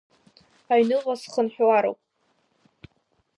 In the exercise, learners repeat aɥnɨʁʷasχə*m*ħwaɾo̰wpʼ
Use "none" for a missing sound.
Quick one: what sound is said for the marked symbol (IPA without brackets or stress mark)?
n